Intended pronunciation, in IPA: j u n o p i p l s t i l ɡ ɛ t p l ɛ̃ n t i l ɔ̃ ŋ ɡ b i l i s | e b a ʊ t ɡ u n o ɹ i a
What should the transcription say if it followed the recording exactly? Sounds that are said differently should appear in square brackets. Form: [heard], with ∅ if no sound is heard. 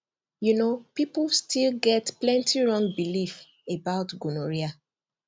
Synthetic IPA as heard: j u n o p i p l s t i l ɡ ɛ t p l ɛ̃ n t i [ɹ] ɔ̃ ŋ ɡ b i l i [f] | e b a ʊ t ɡ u n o ɹ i a